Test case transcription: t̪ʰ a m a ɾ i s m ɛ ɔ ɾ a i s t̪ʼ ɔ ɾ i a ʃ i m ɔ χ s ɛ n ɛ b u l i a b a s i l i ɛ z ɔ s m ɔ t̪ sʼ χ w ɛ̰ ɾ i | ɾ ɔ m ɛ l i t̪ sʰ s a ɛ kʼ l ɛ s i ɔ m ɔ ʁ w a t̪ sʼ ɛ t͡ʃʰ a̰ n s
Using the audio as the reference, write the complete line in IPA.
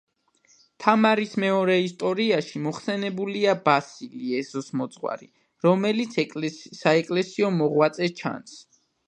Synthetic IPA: t̪ʰ a m a ɾ i s m ɛ ɔ ɾ ɛ i s t̪ʼ ɔ ɾ i a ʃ i m ɔ χ s ɛ n ɛ b u l i a b a s i l i ɛ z ɔ s m ɔ t̪ sʼ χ w a̰ ɾ i | ɾ ɔ m ɛ l i t̪ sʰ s a ɛ kʼ l ɛ s i ɔ m ɔ ʁ w a t̪ sʼ ɛ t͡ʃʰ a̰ n s